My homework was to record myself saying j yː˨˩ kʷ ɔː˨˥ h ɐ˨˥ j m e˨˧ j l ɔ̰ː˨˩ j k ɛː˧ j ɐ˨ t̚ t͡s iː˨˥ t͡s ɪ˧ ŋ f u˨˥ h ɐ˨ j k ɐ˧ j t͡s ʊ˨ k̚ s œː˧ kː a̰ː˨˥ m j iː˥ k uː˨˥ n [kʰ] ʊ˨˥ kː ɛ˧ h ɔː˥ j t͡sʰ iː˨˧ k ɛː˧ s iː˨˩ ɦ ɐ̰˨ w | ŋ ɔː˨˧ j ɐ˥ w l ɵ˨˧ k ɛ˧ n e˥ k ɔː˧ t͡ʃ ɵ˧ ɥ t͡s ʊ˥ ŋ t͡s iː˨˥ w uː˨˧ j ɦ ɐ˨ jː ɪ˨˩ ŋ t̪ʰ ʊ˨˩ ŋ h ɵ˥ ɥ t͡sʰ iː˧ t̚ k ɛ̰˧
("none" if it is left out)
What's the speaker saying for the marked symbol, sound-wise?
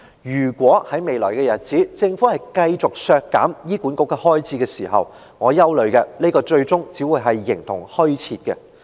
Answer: k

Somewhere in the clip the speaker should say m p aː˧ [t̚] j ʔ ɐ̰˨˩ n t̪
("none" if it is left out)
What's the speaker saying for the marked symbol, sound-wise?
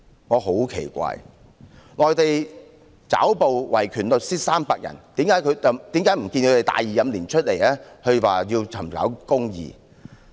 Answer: k̚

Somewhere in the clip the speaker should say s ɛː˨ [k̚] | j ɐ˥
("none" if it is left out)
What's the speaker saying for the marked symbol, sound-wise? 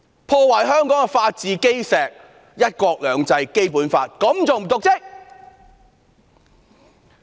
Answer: k̚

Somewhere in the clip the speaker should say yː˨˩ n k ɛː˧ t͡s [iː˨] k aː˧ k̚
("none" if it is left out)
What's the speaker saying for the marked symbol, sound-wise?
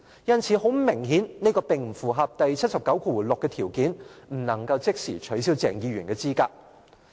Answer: iː˥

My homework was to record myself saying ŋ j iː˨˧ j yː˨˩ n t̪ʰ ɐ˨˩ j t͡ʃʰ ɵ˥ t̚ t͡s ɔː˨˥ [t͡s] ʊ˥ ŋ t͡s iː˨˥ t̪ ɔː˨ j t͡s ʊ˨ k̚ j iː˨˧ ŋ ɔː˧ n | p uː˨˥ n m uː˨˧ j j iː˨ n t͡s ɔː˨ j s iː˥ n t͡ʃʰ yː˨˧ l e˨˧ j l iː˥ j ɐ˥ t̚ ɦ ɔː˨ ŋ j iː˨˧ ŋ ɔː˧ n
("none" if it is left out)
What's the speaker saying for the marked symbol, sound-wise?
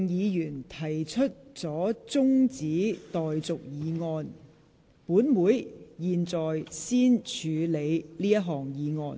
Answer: t͡s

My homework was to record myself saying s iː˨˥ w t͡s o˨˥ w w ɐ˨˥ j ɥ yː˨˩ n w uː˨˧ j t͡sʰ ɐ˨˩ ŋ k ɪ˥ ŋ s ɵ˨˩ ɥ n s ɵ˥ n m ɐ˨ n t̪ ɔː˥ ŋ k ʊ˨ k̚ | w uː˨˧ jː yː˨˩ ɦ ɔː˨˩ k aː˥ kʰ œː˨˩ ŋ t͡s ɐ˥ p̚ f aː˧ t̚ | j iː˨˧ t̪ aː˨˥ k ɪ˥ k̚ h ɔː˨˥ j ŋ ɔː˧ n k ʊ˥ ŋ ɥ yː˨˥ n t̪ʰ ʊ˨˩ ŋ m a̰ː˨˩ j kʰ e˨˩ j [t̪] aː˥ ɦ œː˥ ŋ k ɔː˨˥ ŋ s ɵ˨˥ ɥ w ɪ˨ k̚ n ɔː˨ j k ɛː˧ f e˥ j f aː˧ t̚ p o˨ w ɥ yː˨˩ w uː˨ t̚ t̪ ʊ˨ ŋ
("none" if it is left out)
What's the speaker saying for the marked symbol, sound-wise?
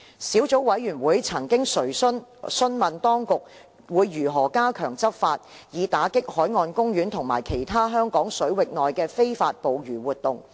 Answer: t̪ʰ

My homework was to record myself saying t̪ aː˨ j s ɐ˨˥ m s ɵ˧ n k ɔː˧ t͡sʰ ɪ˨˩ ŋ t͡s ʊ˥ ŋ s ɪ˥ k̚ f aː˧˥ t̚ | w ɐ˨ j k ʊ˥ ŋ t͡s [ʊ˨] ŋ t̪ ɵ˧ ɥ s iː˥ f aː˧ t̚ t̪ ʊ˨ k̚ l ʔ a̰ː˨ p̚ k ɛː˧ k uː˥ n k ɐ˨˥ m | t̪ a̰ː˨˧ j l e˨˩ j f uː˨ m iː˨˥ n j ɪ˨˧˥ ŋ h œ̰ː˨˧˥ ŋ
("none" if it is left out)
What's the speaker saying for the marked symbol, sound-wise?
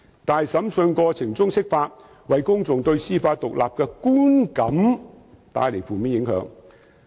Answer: ʊ˨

